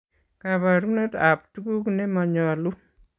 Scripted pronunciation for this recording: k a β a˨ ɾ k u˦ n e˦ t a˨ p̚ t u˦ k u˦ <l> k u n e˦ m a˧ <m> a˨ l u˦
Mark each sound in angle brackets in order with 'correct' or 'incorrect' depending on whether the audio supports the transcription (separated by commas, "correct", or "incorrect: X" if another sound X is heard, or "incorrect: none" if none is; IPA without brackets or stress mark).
incorrect: none, incorrect: ɲ